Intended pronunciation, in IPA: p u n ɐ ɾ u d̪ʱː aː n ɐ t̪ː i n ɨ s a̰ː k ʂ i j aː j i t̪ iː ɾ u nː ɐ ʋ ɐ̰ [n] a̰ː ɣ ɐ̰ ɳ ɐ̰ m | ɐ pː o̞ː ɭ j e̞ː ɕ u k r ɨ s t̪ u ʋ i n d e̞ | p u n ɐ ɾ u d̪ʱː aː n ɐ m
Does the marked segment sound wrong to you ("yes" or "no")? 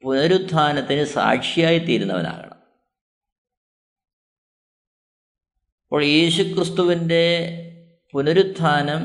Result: no